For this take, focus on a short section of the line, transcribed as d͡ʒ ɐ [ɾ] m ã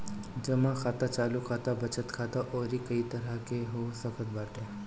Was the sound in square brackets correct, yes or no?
no